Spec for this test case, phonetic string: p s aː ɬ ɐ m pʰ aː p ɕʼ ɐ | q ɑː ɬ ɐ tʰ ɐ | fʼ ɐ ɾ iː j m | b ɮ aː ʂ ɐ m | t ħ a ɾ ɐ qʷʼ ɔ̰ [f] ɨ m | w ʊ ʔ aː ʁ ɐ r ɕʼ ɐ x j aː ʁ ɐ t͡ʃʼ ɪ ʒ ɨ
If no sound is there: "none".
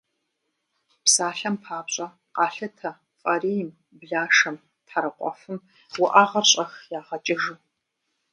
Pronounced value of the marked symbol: f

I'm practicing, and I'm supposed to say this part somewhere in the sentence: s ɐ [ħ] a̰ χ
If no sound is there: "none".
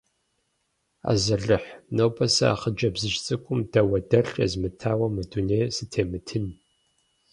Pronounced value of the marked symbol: none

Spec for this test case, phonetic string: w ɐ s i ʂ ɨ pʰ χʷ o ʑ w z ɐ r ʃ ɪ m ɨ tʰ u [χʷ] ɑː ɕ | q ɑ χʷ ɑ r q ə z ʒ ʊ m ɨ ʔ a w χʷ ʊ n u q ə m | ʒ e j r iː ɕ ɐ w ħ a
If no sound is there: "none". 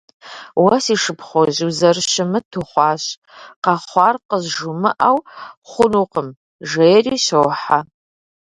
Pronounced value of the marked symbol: χʷ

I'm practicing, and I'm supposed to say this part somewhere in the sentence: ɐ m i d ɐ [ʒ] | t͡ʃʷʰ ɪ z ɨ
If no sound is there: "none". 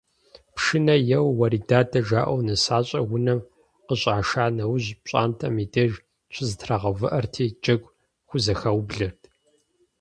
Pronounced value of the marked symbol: ʒ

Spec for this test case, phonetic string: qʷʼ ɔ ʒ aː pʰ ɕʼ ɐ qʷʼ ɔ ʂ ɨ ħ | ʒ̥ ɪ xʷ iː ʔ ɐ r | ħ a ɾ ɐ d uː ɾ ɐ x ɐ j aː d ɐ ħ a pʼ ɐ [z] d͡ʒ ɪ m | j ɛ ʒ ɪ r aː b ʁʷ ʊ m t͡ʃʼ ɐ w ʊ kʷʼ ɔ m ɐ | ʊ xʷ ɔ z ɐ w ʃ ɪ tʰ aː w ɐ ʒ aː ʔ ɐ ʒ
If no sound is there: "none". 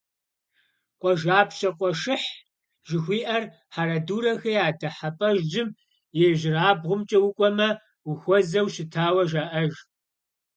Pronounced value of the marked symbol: ʒ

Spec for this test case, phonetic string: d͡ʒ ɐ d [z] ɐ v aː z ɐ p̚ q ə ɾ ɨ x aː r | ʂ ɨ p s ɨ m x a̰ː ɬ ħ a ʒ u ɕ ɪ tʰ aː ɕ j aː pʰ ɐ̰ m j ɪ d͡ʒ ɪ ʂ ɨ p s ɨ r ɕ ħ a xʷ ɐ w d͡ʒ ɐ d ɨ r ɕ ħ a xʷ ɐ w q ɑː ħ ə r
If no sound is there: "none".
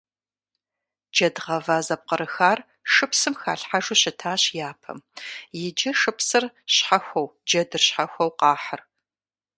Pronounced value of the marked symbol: ʁ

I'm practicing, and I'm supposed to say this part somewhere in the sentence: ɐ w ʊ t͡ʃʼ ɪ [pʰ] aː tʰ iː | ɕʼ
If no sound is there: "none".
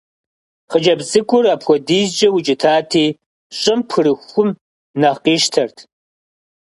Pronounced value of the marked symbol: tʰ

